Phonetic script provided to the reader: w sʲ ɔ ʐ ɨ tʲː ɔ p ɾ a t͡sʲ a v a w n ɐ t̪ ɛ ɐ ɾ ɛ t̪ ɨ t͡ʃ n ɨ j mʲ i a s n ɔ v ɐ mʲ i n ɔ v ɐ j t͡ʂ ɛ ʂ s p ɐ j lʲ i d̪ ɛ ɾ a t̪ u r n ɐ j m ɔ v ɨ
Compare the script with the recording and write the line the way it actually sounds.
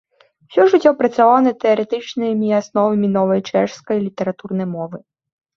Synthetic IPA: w sʲ ɔ ʐ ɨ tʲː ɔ p ɾ ɐ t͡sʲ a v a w n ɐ t̪ ɛ ɐ ɾ ɛ t̪ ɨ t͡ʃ n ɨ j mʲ i a s n ɔ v ɐ mʲ i n ɔ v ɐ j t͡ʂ ɛ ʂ s k ɐ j lʲ i t̪ ɛ ɾ a t̪ u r n ɐ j m ɔ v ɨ